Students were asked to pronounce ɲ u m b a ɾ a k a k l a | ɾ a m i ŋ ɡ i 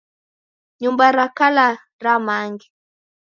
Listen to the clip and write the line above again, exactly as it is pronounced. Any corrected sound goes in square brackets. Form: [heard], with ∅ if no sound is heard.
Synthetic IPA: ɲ u m b a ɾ a k a [∅] l a | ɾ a m [a] ŋ ɡ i

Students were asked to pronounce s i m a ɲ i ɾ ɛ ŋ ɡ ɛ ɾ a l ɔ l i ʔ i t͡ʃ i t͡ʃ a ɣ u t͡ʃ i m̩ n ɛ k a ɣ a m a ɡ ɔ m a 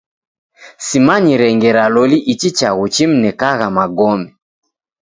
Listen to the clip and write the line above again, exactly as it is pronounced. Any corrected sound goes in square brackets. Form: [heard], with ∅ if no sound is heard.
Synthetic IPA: s i m a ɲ i ɾ ɛ ŋ ɡ ɛ ɾ a l ɔ l i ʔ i t͡ʃ i t͡ʃ a ɣ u t͡ʃ i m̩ n ɛ k a ɣ a m a ɡ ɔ m [ɛ]

